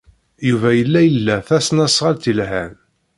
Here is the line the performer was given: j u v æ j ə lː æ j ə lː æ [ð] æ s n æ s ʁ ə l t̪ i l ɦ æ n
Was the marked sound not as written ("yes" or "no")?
yes